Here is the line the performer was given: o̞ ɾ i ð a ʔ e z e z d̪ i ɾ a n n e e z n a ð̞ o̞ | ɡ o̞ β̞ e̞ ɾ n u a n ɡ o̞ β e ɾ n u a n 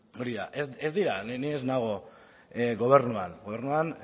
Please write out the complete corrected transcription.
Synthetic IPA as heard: o̞ ɾ i ð a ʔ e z e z d̪ i ɾ a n n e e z n a ɣ̞ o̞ | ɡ o̞ β̞ e̞ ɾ n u a n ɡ o̞ β e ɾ n u a n